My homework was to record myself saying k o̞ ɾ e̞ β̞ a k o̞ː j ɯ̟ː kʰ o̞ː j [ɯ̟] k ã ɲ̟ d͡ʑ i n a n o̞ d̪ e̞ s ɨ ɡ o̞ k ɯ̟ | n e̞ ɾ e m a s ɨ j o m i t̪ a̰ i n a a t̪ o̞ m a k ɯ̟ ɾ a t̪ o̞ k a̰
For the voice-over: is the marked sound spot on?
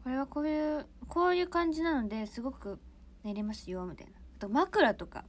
no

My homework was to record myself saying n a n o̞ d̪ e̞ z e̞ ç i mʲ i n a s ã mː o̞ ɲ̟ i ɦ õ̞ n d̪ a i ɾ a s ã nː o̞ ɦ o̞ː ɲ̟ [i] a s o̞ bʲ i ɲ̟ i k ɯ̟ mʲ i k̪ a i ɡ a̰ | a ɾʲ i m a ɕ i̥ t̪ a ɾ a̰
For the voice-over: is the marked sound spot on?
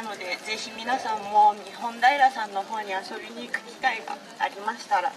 yes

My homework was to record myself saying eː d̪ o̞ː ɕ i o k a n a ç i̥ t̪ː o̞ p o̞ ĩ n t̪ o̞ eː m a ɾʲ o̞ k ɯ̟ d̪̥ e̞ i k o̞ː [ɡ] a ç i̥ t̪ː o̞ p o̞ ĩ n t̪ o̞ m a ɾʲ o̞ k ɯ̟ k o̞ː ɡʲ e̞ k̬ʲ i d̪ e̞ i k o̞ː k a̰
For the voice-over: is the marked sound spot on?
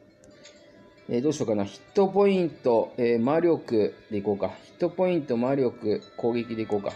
no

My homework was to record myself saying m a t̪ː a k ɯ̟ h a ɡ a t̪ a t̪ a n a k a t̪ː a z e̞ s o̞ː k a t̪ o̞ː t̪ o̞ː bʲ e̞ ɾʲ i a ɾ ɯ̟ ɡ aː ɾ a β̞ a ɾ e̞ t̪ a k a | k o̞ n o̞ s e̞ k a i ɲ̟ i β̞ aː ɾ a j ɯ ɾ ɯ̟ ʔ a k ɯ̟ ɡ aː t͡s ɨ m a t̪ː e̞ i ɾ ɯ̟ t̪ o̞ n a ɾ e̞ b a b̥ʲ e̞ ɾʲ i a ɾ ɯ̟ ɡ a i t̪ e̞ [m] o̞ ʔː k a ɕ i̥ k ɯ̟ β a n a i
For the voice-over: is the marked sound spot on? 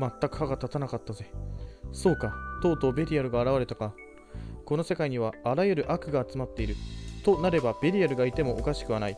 yes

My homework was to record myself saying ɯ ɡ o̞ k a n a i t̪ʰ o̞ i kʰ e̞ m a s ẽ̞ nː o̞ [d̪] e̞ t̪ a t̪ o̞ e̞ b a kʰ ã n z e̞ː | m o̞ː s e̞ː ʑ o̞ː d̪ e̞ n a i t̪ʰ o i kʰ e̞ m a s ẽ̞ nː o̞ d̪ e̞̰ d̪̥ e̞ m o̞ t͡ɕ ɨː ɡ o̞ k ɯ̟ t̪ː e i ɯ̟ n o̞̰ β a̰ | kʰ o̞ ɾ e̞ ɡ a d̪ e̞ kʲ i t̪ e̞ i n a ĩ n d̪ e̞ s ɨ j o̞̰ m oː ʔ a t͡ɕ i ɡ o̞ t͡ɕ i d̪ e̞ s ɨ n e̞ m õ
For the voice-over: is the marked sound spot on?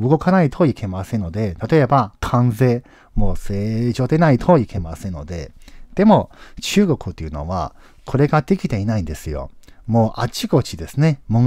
yes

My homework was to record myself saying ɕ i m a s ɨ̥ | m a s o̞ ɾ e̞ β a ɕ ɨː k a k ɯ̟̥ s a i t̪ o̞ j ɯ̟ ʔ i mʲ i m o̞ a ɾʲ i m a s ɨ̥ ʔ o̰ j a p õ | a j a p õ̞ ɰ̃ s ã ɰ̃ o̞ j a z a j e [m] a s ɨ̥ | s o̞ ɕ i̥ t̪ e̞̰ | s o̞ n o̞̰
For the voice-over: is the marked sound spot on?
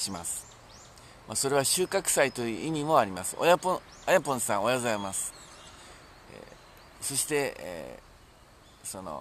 yes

